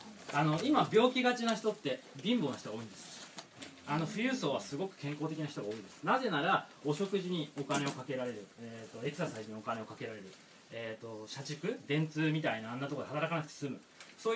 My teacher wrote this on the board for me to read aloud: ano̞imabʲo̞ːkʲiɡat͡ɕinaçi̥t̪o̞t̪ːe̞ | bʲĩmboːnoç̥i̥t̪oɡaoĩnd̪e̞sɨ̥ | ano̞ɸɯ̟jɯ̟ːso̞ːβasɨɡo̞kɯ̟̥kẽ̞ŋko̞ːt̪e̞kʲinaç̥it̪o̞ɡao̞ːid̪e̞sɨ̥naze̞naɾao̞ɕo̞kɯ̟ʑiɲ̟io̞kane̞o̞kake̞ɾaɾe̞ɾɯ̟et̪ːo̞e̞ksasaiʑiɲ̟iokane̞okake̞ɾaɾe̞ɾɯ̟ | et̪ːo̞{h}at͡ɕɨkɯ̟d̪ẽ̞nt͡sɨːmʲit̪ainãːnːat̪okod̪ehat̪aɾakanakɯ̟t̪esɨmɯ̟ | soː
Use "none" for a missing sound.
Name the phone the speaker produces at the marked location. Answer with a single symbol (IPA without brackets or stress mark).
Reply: ɕ